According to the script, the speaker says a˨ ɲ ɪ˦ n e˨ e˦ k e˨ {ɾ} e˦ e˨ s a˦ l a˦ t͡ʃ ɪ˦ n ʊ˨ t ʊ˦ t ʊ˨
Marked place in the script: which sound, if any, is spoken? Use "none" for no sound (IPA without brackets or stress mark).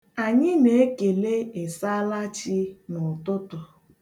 l